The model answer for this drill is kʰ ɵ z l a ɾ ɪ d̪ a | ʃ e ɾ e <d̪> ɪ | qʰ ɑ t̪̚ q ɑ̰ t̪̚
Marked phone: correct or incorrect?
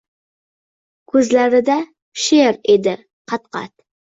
correct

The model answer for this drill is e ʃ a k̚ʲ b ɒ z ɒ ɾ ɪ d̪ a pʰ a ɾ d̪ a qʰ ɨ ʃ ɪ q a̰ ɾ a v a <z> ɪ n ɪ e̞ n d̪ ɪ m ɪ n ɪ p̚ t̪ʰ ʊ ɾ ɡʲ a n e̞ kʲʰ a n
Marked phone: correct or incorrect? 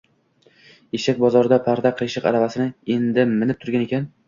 incorrect: s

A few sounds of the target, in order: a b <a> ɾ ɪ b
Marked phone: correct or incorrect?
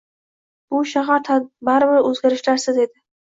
correct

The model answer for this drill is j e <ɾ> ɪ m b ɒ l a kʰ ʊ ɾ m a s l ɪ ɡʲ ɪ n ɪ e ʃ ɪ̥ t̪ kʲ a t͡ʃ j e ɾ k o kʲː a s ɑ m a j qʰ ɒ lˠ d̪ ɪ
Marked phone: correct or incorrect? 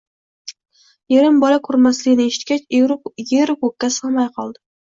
correct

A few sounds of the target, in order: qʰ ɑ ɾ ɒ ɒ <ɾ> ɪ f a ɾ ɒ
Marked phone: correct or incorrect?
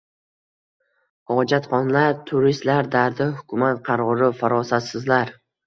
correct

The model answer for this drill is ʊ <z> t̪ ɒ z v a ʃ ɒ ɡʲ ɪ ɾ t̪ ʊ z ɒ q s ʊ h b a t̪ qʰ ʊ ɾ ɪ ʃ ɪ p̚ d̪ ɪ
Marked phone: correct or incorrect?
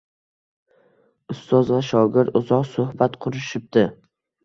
incorrect: s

